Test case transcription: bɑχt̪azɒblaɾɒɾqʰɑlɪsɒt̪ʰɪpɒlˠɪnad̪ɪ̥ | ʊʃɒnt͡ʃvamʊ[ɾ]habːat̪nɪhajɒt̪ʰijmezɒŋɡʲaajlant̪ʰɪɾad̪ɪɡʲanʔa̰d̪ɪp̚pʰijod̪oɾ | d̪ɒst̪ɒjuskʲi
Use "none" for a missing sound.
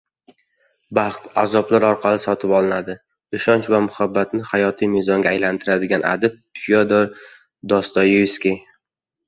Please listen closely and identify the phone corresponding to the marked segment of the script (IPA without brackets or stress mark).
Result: none